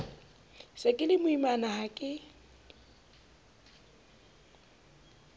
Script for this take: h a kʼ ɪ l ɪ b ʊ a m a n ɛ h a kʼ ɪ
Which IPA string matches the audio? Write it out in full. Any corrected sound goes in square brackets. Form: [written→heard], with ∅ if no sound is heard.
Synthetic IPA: [h→s] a kʼ ɪ l ɪ [b→m] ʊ [a→i] m a n [ɛ→a] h a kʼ ɪ